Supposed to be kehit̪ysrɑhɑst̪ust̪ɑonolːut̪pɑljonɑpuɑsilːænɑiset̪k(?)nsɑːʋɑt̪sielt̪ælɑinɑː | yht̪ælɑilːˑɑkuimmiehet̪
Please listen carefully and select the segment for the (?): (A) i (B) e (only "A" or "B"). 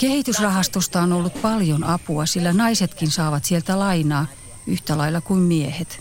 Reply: A